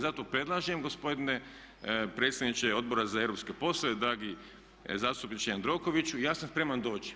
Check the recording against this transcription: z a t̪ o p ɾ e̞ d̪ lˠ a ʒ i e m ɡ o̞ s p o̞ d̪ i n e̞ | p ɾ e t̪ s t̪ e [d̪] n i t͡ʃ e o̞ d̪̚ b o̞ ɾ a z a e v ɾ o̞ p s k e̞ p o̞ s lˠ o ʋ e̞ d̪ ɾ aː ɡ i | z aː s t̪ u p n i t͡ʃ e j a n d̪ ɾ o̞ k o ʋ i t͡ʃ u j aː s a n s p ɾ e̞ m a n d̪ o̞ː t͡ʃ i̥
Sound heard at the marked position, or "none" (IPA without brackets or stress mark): d̪